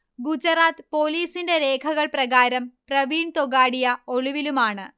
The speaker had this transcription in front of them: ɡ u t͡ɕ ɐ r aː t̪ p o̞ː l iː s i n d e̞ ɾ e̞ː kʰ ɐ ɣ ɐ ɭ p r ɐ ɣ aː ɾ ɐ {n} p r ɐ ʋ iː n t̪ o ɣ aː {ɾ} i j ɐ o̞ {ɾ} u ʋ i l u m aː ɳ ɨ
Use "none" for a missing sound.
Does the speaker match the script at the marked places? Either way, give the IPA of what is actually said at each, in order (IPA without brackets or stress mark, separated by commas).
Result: m, ɽ, ɭ